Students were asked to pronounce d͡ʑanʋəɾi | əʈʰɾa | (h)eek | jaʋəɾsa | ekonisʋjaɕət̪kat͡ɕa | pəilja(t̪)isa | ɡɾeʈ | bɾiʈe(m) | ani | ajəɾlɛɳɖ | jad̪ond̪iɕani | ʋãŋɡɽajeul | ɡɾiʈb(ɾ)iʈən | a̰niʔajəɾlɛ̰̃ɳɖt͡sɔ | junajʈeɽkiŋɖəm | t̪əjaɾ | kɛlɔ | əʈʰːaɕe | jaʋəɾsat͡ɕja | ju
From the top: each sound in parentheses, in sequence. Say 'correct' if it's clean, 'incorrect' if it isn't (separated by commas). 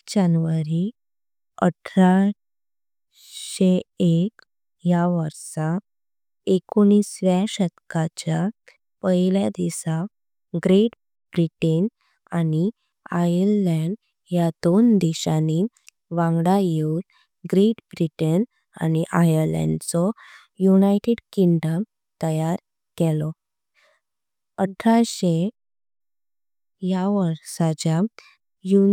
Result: incorrect, incorrect, incorrect, correct